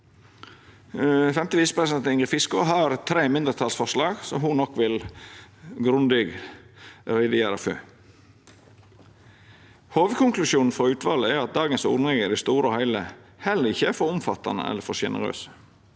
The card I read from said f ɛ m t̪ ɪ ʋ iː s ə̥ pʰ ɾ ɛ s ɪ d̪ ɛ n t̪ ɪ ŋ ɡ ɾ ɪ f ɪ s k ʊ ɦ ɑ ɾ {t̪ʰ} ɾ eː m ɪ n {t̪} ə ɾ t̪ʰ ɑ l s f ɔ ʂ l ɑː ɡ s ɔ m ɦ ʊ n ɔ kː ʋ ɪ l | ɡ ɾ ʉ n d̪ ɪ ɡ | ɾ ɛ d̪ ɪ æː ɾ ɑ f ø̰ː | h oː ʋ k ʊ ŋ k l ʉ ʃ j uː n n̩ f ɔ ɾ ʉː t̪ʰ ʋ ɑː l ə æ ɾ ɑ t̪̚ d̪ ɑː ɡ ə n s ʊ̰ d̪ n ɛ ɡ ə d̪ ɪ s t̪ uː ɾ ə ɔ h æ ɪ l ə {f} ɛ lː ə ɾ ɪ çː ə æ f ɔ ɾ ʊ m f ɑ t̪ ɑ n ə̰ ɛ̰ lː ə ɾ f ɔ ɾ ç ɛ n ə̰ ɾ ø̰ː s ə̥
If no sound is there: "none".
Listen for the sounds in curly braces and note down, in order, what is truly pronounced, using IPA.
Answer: t̪ʰ, d̪, h

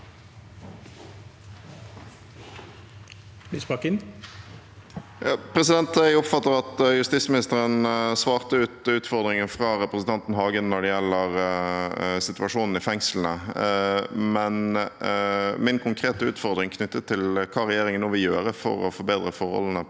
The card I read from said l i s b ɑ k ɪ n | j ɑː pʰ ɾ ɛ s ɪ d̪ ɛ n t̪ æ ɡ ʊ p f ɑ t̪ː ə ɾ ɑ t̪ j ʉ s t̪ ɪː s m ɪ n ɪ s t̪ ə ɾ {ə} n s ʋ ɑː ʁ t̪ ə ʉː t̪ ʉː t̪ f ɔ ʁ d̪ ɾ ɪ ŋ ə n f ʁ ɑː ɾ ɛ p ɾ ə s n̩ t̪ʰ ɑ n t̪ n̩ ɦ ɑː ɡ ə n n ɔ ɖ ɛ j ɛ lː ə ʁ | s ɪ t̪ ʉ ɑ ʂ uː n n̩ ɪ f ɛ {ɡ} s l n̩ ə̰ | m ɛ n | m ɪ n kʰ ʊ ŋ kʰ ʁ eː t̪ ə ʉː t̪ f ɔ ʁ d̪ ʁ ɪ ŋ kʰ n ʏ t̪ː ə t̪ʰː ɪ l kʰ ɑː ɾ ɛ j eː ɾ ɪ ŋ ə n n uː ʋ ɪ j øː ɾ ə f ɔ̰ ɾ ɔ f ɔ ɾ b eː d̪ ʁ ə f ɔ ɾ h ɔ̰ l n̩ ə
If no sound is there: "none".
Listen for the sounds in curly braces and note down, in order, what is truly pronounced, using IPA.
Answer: ə, ŋ

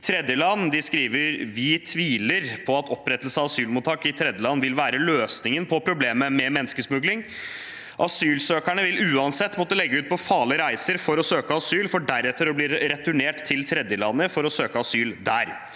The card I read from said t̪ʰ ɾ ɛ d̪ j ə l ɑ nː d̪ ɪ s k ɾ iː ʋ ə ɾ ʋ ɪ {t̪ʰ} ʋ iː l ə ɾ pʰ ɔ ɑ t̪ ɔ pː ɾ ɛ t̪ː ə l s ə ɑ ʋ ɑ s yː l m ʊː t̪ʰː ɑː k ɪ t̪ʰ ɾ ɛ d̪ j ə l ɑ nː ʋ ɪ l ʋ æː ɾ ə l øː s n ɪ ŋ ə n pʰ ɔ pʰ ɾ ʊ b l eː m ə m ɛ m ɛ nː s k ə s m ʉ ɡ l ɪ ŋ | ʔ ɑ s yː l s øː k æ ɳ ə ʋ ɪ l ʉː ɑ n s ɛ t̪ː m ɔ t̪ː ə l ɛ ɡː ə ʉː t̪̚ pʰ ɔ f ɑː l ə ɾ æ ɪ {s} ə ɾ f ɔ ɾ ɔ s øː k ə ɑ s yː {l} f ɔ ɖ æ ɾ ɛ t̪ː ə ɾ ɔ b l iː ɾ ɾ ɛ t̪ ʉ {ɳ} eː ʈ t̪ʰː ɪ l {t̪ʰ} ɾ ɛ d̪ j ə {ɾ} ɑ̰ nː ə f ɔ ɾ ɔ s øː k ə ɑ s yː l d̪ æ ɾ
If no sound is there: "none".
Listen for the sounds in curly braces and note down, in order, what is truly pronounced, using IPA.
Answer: t̪ʰ, s, l, ɳ, t̪ʰ, l

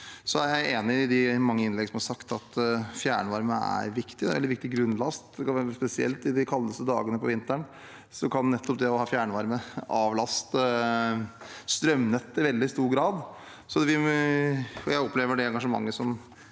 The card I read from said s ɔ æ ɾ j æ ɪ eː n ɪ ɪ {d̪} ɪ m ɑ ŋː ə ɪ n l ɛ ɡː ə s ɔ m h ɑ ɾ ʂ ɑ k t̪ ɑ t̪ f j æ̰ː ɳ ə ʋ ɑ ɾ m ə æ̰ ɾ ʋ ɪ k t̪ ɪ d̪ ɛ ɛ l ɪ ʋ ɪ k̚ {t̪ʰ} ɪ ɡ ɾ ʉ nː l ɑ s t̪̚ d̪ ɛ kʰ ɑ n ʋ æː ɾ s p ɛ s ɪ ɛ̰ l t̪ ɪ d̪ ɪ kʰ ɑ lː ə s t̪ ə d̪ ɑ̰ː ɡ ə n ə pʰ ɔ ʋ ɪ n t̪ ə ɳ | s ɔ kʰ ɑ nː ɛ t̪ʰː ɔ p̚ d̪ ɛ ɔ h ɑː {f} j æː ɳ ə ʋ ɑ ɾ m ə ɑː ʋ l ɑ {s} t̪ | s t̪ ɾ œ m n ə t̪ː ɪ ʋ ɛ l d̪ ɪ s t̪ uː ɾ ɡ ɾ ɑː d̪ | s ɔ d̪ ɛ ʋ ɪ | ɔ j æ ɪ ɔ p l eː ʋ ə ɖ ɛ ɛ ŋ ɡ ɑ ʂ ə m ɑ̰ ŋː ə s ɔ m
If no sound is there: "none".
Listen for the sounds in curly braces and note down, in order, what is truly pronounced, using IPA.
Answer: d̪, t̪, f, s

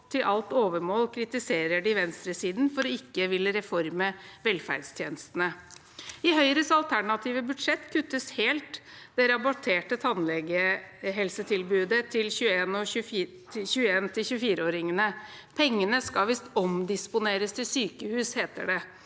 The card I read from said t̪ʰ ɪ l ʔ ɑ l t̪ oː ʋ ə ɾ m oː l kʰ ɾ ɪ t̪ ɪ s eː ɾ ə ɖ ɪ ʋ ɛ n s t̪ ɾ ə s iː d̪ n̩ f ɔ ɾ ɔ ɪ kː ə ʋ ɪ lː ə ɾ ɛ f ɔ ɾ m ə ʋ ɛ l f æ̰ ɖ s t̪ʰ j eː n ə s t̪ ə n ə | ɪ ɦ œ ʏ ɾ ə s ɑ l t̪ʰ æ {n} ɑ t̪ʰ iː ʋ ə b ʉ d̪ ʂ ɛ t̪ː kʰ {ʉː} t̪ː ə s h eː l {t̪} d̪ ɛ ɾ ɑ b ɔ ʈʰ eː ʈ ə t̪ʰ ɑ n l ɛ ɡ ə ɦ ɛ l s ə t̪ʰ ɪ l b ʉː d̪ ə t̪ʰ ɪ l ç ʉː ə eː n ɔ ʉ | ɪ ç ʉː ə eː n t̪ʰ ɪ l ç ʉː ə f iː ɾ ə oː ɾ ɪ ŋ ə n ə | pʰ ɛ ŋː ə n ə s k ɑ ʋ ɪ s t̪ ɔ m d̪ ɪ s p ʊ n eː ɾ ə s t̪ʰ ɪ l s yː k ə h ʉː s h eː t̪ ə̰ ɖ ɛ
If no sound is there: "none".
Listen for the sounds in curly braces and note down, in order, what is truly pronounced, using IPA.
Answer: ɳ, ʉ, t̪

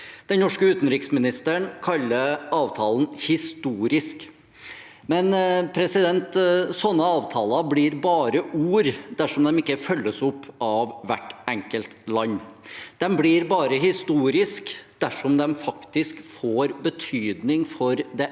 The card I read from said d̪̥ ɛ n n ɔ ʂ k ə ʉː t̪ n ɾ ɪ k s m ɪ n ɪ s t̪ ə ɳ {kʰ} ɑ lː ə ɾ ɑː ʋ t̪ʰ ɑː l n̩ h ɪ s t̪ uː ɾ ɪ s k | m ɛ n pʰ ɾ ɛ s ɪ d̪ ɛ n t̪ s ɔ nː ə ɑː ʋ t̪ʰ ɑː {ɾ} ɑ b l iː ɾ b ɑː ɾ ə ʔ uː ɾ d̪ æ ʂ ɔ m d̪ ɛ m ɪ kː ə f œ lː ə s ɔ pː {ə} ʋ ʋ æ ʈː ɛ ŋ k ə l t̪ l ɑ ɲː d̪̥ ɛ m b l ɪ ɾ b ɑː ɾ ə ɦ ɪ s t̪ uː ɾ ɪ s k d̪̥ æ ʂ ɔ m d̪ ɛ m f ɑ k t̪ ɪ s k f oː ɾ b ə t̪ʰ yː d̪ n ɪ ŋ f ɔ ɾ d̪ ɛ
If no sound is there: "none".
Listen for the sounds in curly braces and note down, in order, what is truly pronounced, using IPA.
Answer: kʰ, l, ɑ

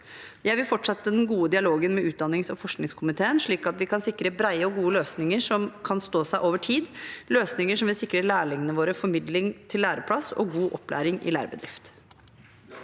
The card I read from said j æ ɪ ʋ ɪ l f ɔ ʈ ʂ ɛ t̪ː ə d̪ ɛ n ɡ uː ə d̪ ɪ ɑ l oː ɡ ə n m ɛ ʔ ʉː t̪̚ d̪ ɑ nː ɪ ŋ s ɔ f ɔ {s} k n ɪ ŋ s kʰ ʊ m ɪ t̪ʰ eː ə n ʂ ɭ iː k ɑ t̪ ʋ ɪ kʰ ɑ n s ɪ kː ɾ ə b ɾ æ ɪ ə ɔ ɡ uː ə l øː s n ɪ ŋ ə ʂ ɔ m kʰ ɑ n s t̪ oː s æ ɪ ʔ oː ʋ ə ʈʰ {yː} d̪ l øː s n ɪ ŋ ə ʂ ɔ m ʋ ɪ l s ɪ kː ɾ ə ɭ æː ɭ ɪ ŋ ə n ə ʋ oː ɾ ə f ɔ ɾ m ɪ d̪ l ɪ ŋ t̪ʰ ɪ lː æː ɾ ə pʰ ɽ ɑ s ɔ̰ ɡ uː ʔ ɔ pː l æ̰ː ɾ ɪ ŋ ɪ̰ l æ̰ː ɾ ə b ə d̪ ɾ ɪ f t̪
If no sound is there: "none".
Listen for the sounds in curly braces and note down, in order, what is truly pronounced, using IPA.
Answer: ʂ, iː

